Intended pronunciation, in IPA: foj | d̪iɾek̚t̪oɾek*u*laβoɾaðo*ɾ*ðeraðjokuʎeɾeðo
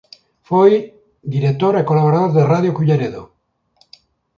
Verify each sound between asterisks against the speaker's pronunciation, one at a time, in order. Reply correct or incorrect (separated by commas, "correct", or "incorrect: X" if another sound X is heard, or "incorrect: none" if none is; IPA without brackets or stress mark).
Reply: incorrect: o, correct